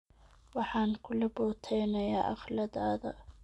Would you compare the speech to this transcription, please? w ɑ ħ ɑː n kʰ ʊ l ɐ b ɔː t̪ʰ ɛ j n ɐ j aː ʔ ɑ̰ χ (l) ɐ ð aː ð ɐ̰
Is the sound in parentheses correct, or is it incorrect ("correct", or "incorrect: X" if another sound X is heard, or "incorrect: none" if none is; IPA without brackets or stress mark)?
correct